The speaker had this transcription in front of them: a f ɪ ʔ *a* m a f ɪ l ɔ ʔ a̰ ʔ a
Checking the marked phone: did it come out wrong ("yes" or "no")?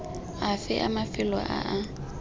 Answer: no